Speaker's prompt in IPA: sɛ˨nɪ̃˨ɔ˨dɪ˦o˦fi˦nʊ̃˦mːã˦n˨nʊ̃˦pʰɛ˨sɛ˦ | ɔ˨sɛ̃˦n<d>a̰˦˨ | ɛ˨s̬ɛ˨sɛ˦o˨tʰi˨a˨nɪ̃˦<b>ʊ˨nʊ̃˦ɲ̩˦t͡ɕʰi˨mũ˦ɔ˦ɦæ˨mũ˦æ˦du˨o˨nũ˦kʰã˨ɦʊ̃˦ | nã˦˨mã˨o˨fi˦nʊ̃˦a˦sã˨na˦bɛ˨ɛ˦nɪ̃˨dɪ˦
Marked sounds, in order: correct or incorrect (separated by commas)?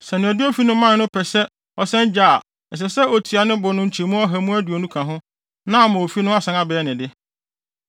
incorrect, correct